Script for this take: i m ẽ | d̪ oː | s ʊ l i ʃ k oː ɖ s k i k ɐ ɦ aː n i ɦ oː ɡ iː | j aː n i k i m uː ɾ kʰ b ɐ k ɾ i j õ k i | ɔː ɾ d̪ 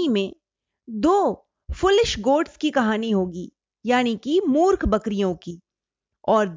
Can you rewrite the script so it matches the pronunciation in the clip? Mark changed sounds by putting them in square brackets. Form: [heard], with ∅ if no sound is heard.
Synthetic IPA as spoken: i m ẽ | d̪ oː | [f] ʊ l [ɪ] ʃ [ɡ] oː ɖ s k i k ɐ ɦ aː n i ɦ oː ɡ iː | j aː n i k i m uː ɾ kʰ b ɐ k ɾ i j õ k i | ɔː ɾ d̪